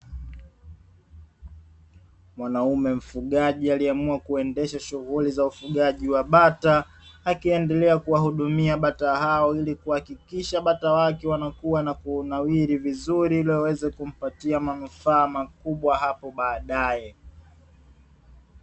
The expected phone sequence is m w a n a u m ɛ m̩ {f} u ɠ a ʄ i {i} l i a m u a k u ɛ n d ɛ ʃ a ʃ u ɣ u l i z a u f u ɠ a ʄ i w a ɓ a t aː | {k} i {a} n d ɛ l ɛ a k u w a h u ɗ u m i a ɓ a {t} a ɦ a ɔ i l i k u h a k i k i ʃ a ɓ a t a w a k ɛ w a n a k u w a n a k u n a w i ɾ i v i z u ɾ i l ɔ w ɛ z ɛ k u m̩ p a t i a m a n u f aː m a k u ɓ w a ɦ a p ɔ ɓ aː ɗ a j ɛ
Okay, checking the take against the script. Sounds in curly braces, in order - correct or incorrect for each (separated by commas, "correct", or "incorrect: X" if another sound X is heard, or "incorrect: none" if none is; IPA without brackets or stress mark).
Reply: correct, incorrect: a, correct, incorrect: ɛ, correct